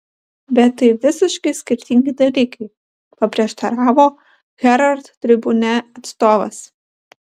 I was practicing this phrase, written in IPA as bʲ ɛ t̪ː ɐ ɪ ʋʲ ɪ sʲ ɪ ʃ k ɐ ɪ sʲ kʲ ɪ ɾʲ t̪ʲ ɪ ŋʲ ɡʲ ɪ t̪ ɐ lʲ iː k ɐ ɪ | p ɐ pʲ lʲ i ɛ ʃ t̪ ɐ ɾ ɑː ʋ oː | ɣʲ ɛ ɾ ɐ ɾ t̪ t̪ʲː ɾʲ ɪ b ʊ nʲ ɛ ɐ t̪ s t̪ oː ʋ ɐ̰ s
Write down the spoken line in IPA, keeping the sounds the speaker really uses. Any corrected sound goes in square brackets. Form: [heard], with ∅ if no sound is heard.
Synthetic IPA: bʲ ɛ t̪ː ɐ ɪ ʋʲ ɪ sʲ ɪ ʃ k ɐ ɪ sʲ kʲ ɪ ɾʲ t̪ʲ ɪ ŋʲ ɡʲ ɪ [d̪] ɐ lʲ iː k ɐ ɪ | p ɐ pʲ [ɾʲ] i ɛ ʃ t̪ ɐ ɾ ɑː ʋ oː | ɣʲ ɛ ɾ ɐ ɾ t̪ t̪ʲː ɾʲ ɪ b ʊ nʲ ɛ ɐ t̪ s t̪ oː ʋ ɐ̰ s

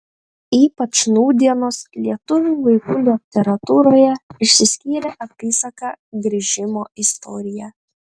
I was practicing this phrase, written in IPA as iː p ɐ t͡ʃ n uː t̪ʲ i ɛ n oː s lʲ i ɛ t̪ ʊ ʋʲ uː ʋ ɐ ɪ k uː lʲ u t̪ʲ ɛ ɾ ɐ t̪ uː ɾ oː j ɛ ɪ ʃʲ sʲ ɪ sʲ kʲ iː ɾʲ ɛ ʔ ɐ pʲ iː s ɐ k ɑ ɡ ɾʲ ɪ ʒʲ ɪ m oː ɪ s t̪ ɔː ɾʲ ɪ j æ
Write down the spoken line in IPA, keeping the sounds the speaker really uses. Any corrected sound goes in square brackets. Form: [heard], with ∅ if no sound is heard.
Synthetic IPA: iː p ɐ t͡ʃ n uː [d̪ʲ] i ɛ n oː s lʲ i ɛ t̪ ʊ ʋʲ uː ʋ ɐ ɪ k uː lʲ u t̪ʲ ɛ ɾ ɐ t̪ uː ɾ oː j ɛ ɪ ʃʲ sʲ ɪ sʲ kʲ iː ɾʲ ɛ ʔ ɐ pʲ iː s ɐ k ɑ ɡ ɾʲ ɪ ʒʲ ɪ m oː ɪ s t̪ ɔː ɾʲ ɪ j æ

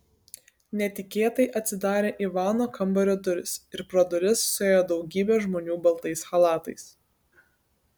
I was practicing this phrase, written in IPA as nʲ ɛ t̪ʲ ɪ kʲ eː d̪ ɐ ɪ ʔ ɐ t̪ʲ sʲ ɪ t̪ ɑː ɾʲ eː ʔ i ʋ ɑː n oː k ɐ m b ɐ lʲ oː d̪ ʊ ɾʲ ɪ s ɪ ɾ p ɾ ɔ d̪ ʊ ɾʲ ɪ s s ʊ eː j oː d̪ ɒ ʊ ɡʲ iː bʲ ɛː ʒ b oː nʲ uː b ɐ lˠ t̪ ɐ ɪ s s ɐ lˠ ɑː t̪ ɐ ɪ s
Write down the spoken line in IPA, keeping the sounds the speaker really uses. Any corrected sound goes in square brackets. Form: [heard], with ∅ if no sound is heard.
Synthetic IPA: nʲ ɛ t̪ʲ ɪ kʲ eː [t̪] ɐ ɪ ʔ ɐ t̪ʲ sʲ ɪ [d̪] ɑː ɾʲ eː ʔ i ʋ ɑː n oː k ɐ m b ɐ [ɾʲ] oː d̪ ʊ ɾʲ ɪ s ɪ ɾ p ɾ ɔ d̪ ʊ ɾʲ ɪ s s ʊ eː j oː d̪ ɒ ʊ ɡʲ iː bʲ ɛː ʒ [m] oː nʲ uː b ɐ lˠ t̪ ɐ ɪ s [x] ɐ lˠ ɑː t̪ ɐ ɪ s

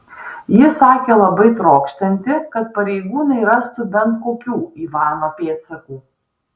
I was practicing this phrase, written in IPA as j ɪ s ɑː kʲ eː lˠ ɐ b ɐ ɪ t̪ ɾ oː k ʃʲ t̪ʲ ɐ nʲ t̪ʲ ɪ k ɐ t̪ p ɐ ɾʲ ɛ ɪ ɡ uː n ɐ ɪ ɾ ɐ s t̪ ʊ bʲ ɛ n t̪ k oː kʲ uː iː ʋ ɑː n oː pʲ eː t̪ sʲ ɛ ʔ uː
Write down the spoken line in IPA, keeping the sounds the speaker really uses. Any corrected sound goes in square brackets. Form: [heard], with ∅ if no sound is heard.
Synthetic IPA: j ɪ s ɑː kʲ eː lˠ ɐ b ɐ ɪ t̪ ɾ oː k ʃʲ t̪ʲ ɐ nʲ t̪ʲ ɪ k ɐ t̪ p ɐ ɾʲ ɛ ɪ ɡ uː n ɐ ɪ ɾ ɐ s t̪ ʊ bʲ ɛ n t̪ k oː kʲ uː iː ʋ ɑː n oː pʲ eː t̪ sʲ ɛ [k] uː

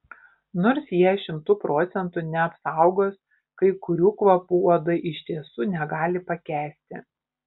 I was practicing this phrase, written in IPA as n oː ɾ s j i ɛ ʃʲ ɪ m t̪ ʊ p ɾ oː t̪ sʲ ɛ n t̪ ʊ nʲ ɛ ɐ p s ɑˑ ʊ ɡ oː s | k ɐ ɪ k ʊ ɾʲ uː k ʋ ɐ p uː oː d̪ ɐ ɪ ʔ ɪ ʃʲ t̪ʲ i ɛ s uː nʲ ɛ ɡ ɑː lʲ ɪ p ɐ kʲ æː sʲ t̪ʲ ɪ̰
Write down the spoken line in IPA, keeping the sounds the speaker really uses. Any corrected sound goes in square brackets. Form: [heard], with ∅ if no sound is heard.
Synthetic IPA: n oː ɾ s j i ɛ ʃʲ ɪ m t̪ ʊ p ɾ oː t̪ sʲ ɛ n t̪ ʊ nʲ ɛ ɐ p s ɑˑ ʊ ɡ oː s | k ɐ ɪ k ʊ ɾʲ uː k ʋ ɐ p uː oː d̪ ɐ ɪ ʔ ɪ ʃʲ t̪ʲ i ɛ s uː nʲ ɛ ɡ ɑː lʲ ɪ p ɐ kʲ æː sʲ t̪ʲ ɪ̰

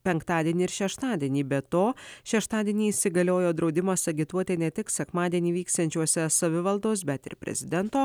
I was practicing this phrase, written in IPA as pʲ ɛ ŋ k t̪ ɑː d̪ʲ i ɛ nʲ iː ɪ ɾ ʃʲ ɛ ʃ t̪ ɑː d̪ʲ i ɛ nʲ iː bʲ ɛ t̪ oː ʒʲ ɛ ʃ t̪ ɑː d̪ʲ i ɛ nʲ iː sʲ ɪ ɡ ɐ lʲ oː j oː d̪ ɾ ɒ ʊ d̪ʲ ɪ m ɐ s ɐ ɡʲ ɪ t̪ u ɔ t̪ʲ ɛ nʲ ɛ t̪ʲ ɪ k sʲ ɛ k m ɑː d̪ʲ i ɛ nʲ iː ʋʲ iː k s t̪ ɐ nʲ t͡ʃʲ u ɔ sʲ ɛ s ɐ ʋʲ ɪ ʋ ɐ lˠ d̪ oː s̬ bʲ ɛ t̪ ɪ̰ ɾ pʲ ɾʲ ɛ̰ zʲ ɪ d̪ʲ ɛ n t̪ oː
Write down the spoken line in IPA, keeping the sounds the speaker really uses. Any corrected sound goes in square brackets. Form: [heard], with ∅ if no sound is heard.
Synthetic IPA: pʲ ɛ ŋ k t̪ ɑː d̪ʲ i ɛ nʲ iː ɪ ɾ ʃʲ ɛ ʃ t̪ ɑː d̪ʲ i ɛ nʲ iː bʲ ɛ t̪ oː [ʃʲ] ɛ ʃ t̪ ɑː d̪ʲ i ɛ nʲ iː sʲ ɪ ɡ ɐ lʲ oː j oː d̪ ɾ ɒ ʊ d̪ʲ ɪ m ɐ s ɐ ɡʲ ɪ t̪ u ɔ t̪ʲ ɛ nʲ ɛ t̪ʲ ɪ k sʲ ɛ k m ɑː d̪ʲ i ɛ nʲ iː ʋʲ iː k s t̪ ɐ nʲ t͡ʃʲ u ɔ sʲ ɛ s ɐ ʋʲ ɪ ʋ ɐ lˠ d̪ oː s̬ bʲ ɛ t̪ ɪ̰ ɾ pʲ ɾʲ ɛ̰ zʲ ɪ d̪ʲ ɛ n t̪ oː

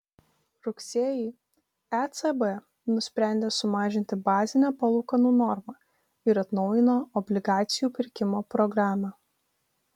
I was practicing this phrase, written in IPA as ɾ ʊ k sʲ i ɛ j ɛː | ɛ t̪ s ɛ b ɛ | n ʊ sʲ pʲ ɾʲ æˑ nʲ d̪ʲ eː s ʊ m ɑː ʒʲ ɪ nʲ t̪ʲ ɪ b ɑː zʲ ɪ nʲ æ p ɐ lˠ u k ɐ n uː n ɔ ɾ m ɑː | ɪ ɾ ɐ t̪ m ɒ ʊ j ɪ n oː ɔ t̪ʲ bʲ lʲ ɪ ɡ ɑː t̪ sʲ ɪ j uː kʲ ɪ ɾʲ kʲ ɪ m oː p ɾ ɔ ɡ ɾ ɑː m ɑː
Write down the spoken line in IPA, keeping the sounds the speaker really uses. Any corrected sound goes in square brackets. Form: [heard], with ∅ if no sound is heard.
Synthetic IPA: ɾ ʊ k sʲ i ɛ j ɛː | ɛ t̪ s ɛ b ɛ | n ʊ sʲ pʲ ɾʲ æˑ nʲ d̪ʲ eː s ʊ m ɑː ʒʲ ɪ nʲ t̪ʲ ɪ b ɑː zʲ ɪ nʲ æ p ɐ lˠ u k ɐ n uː n ɔ ɾ m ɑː | ɪ ɾ ɐ t̪ [n] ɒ ʊ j ɪ n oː ɔ [∅] bʲ lʲ ɪ ɡ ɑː t̪ sʲ ɪ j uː [pʲ] ɪ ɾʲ kʲ ɪ m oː p ɾ ɔ ɡ ɾ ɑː m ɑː

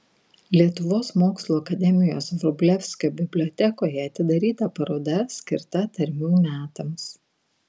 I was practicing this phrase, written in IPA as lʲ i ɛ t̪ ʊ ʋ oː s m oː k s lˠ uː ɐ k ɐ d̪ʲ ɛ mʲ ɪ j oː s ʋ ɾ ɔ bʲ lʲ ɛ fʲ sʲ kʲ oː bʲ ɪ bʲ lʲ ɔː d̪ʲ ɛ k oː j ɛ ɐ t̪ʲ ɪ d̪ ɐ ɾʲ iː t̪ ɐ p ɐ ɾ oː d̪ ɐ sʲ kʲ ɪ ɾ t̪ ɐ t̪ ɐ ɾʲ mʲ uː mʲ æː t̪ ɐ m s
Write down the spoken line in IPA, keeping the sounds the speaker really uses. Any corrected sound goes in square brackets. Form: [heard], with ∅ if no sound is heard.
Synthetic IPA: lʲ i ɛ t̪ ʊ ʋ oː s m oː k s lˠ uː ɐ k ɐ d̪ʲ ɛ mʲ ɪ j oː s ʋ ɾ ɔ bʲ lʲ ɛ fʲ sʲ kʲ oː bʲ ɪ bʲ lʲ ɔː [t̪ʲ] ɛ k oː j ɛ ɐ t̪ʲ ɪ d̪ ɐ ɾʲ iː t̪ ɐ p ɐ ɾ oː d̪ ɐ sʲ kʲ ɪ ɾ t̪ ɐ t̪ ɐ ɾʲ mʲ uː mʲ æː t̪ ɐ m s

